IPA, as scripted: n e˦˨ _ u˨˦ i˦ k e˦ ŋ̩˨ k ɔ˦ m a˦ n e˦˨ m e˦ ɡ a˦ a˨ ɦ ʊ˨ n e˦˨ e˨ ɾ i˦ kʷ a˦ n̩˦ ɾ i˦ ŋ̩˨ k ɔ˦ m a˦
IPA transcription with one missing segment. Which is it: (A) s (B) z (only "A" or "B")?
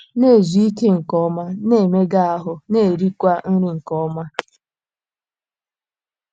B